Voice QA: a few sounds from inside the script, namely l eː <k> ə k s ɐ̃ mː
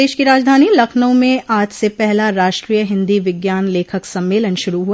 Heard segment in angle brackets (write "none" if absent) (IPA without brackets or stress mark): kʰ